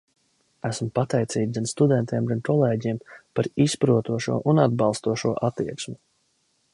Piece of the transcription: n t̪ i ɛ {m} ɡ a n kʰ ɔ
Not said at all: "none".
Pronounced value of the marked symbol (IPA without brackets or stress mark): m